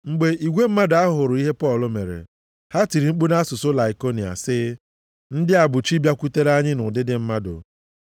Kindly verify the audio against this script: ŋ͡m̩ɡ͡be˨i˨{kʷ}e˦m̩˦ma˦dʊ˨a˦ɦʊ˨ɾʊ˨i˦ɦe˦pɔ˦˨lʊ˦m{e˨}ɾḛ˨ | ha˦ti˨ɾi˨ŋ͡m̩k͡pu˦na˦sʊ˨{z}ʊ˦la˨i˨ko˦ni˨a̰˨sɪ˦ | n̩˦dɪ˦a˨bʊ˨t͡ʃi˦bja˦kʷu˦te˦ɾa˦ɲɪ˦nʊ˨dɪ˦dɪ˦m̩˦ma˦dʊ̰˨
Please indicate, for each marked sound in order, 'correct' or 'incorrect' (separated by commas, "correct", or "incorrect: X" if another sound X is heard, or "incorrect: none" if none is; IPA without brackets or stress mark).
incorrect: ɡʷ, correct, incorrect: s